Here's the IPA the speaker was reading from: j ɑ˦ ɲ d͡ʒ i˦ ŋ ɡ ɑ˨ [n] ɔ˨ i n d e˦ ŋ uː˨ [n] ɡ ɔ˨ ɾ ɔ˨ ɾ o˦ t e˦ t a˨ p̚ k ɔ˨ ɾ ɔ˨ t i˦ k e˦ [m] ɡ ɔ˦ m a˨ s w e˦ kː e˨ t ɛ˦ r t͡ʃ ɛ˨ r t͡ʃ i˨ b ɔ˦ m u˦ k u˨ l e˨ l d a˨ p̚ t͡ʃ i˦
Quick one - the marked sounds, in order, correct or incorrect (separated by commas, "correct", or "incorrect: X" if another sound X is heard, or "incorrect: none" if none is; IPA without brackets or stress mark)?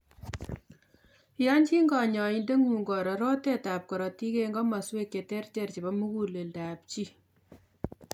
incorrect: ɲ, incorrect: ŋ, incorrect: ŋ